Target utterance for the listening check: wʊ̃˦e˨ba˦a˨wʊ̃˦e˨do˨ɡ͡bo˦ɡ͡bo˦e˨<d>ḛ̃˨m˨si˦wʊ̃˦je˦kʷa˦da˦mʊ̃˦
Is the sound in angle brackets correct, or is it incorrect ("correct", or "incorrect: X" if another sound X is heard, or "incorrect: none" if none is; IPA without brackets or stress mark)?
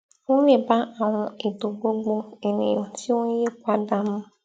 incorrect: n